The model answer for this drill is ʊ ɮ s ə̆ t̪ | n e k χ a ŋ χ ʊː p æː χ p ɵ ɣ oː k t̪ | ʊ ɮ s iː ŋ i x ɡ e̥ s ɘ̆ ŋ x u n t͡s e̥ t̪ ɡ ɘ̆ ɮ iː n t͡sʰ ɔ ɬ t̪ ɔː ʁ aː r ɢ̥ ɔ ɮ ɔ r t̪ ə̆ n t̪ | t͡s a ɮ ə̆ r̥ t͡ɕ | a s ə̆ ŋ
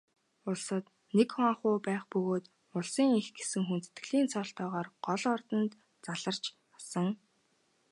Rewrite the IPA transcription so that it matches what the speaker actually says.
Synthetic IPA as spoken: ʊ ɮ s ə̆ t̪ | n e k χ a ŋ χ ʊː p æː χ p ɵ ɣ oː t̪ | ʊ ɮ s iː ŋ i x ɡ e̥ s ɘ̆ ŋ x u n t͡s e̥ t̪ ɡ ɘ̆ ɮ iː n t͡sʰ ɔ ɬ t̪ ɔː ʁ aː r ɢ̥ ɔ ɮ ɔ r t̪ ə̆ n t̪ | t͡s a ɮ ə̆ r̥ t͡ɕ | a s ə̆ ŋ

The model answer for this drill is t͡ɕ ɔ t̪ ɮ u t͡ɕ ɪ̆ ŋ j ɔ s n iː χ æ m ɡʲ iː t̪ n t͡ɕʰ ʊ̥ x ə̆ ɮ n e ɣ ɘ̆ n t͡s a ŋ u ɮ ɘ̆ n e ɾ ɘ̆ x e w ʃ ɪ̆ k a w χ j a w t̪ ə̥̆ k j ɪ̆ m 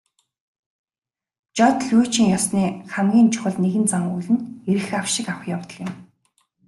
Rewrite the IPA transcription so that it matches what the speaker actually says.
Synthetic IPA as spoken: t͡ɕ ɔ t̪ ɮ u t͡ɕ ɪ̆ ŋ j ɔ s n iː χ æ m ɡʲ iː n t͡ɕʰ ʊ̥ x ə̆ ɮ n e ɣ ɘ̆ n t͡s a ŋ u ɮ ɘ̆ n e ɾ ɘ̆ x a w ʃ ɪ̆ k a w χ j a w t̪ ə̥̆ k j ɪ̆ m

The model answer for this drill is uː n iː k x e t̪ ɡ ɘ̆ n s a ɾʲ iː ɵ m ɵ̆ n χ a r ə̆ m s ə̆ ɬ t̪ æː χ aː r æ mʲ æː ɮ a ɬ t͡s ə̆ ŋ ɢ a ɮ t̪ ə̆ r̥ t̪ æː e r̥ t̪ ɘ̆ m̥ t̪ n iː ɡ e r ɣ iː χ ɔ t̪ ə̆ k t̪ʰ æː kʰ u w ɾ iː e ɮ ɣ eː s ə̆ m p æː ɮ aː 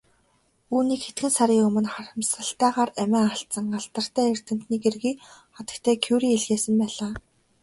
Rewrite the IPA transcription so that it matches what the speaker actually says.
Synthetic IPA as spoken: uː n iː k x e t̪ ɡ ɘ̆ n s a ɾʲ iː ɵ m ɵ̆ n χ a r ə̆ m s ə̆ ɬ t̪ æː ʁ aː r æ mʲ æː a ɬ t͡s ə̆ ŋ ɢ a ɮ t̪ ə̆ r̥ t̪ æː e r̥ t̪ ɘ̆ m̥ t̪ n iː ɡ e r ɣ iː χ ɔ t̪ ə̆ k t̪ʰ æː kʰ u w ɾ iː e ɮ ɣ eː s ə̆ m p æː ɮ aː

